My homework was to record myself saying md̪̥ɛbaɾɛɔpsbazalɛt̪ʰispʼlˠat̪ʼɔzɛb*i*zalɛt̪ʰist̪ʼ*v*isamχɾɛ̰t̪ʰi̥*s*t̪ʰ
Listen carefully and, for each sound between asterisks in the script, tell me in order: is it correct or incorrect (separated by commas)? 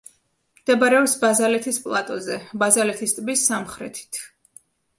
incorrect, incorrect, incorrect